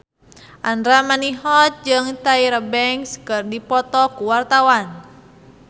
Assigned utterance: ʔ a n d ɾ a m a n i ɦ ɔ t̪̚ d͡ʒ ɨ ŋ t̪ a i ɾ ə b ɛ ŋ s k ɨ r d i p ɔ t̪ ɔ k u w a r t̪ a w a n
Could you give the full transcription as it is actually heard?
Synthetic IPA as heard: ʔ a n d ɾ a m a n i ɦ ɔ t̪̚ d͡ʒ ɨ ŋ t̪ a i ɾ ə b ɛ ŋ s k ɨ r d i p ɔ t̪ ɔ k u w a r t̪ a w a n